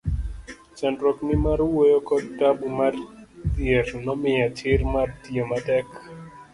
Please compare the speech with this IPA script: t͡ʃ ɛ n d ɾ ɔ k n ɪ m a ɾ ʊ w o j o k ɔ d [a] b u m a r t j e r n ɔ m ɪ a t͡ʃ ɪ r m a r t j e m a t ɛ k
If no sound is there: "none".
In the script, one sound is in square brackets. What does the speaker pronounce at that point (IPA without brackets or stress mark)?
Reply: a